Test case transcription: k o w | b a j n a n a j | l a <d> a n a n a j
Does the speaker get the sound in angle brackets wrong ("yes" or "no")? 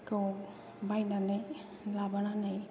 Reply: yes